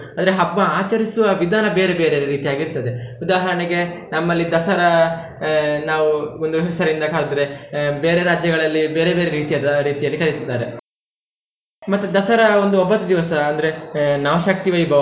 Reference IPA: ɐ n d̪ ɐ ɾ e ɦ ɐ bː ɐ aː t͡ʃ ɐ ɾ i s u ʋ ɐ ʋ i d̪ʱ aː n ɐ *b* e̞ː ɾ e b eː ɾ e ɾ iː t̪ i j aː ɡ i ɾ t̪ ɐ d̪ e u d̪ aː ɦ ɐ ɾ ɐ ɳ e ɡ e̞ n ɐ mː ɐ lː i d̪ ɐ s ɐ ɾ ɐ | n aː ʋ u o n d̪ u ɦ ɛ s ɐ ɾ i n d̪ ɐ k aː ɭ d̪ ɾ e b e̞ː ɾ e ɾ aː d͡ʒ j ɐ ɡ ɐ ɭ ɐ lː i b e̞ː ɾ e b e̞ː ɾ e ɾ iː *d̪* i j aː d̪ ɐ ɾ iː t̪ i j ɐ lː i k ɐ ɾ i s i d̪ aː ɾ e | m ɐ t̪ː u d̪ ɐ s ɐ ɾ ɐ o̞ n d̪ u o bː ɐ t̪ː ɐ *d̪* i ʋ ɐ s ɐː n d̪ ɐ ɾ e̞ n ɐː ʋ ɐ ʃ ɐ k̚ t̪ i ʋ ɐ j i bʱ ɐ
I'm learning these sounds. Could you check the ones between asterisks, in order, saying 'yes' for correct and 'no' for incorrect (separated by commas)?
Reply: yes, no, yes